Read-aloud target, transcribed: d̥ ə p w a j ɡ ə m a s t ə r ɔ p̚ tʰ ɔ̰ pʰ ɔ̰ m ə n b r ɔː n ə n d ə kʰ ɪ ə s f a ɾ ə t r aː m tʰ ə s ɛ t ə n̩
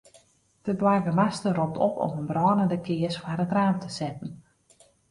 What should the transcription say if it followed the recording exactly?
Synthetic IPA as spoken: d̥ ə b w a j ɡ ə m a s t ə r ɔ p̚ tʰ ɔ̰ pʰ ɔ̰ m ə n b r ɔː n ə n d ə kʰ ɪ ə s f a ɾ ə t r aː m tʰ ə s ɛ t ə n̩